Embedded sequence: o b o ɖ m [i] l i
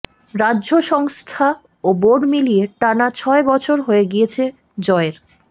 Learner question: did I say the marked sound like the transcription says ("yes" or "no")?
yes